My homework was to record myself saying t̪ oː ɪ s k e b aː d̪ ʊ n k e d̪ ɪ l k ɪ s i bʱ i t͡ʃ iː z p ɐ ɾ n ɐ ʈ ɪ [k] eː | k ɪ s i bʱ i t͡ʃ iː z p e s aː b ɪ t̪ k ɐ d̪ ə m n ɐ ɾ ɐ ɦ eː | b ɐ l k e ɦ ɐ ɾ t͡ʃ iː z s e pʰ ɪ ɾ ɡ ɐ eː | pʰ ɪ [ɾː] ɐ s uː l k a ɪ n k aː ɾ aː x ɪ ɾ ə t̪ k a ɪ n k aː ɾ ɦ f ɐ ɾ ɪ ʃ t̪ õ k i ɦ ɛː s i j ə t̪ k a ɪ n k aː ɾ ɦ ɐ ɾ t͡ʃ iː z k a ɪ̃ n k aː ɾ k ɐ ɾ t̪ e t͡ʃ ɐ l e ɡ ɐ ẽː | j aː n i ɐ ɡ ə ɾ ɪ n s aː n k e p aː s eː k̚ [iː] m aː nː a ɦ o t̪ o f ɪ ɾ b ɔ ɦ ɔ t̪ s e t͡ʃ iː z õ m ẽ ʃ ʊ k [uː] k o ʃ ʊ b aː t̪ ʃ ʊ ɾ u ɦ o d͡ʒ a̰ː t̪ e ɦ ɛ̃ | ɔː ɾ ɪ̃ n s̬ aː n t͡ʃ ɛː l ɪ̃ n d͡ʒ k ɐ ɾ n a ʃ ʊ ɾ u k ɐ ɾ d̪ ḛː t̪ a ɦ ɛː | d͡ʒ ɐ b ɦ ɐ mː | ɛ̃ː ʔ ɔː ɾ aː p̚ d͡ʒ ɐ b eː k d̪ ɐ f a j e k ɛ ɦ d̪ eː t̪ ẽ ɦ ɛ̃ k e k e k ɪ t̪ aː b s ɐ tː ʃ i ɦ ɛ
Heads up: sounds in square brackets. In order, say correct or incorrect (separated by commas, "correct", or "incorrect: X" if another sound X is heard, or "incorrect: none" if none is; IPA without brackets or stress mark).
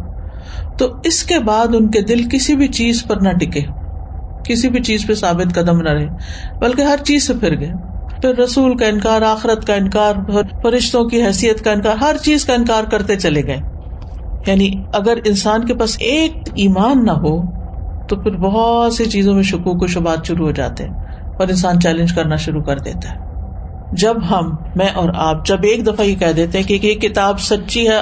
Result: correct, correct, correct, correct